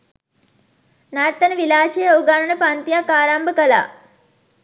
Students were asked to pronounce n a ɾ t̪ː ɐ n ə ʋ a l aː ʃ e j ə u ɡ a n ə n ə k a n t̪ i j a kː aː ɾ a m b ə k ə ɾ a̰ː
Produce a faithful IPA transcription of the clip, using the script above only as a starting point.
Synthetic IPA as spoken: n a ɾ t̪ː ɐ n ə ʋ i l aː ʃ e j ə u ɡ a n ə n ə p a n t̪ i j a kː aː ɾ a m b ə k ə l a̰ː